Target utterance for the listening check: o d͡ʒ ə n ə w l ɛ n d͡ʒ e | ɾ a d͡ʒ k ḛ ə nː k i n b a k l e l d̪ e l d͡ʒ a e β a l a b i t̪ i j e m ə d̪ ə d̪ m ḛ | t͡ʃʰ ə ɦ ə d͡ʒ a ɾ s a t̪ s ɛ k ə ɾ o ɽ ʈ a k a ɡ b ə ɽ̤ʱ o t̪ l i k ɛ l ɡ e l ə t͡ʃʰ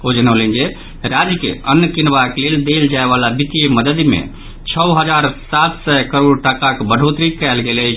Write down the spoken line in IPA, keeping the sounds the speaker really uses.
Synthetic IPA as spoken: o d͡ʒ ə n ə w l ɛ n d͡ʒ e | ɾ a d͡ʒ k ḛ ə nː k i n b a k l e l d̪ e l d͡ʒ a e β a l a b i t̪ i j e m ə d̪ ə d̪ m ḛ | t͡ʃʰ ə ɦ ə d͡ʒ a ɾ s a t̪ s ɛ k ə ɾ o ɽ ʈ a k a k b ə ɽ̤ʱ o t̪ ɾ i k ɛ l ɡ e l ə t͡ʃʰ